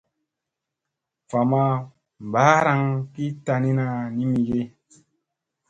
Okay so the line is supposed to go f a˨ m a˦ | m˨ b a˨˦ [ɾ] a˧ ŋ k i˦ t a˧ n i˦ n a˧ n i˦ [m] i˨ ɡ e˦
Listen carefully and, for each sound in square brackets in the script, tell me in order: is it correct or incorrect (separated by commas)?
correct, correct